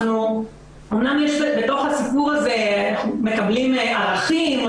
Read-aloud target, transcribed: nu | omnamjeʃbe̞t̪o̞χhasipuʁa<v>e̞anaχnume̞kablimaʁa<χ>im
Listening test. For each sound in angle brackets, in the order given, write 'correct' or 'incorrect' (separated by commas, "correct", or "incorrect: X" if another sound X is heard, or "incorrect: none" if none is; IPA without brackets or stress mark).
incorrect: z, correct